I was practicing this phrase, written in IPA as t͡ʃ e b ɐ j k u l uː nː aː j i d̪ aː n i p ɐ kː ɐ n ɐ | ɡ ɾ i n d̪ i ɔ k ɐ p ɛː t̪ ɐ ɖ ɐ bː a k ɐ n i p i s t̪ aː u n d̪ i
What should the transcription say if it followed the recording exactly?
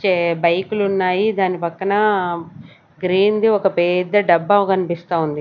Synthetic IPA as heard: t͡ʃ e b ɐ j k u l u nː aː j i d̪ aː n i p ɐ kː ɐ n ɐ | ɡ ɾ iː n d̪ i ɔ k ɐ p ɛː d̪ ɐ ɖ ɐ bː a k ɐ n i p i s t̪ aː u n d̪ i

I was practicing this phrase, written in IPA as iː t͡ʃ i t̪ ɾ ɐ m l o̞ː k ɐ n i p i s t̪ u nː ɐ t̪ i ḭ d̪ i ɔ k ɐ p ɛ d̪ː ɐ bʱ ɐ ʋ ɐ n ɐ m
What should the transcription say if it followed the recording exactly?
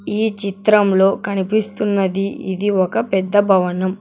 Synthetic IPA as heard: iː t͡ʃ i t̪ ɾ ɐ m l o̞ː k ɐ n i p i s t̪ u nː ɐ d̪ i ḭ d̪ i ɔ k ɐ p ɛ d̪ː ɐ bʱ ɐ ʋ ɐ n ɐ m

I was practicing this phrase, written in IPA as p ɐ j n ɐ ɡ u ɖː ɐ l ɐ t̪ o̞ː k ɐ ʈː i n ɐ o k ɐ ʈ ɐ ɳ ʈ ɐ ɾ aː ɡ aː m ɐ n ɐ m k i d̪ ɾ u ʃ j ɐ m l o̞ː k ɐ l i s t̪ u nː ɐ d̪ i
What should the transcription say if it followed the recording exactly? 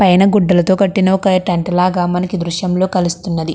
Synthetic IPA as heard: p ɐ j n ɐ ɡ u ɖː ɐ l ɐ t̪ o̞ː k ɐ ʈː i n ɐ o k ɐ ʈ ɐ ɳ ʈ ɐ l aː ɡ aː m ɐ n ɐ k i d̪ ɾ u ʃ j ɐ m l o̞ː k ɐ l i s t̪ u nː ɐ d̪ i

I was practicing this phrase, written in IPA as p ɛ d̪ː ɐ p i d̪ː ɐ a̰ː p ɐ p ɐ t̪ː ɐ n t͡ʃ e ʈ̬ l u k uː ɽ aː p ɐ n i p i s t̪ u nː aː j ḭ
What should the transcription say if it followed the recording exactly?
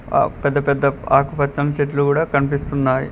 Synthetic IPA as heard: p ɛ d̪ː ɐ p ɛ d̪ː ɐ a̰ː k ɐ p ɐ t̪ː ɐ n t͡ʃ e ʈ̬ l u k uː ɽ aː k ɐ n i p i s t̪ u nː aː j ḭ

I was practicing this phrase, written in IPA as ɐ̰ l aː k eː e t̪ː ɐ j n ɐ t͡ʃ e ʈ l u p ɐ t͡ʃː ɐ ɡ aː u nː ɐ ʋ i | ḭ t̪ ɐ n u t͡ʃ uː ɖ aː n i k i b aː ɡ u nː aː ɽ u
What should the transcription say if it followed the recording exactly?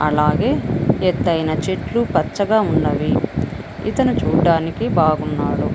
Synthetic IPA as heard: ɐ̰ l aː ɡ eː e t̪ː ɐ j n ɐ t͡ʃ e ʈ l u p ɐ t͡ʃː ɐ ɡ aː u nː ɐ ʋ i | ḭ t̪ ɐ n u t͡ʃ uː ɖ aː n i k i b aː ɡ u nː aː ɽ u

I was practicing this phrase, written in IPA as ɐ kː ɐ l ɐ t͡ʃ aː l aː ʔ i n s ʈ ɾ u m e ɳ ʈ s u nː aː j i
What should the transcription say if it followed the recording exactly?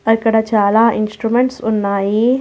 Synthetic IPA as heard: ɐ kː ɐ ɽ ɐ t͡ʃ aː l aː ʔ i n s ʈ ɾ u m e ɳ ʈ s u nː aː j i

